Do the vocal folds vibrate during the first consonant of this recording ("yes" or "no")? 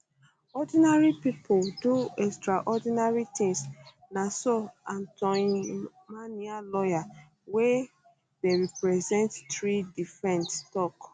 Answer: yes